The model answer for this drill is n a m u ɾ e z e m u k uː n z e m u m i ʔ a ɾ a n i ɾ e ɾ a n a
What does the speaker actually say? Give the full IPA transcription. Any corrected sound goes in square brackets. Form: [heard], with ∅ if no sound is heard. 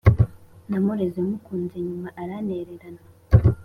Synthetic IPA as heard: n a m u ɾ e z e m u k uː n z e [ɲ] u m [a] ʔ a ɾ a n [e] ɾ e ɾ a n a